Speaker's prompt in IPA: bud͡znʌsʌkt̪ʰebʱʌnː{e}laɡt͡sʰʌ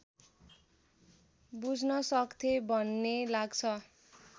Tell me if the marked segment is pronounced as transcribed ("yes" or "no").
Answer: yes